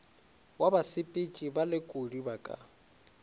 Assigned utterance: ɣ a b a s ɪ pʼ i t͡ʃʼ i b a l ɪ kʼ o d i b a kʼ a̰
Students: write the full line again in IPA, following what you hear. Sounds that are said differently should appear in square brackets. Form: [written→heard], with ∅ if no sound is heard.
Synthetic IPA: [ɣ→w] a b a s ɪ pʼ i t͡ʃʼ i b a l ɪ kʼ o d i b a kʼ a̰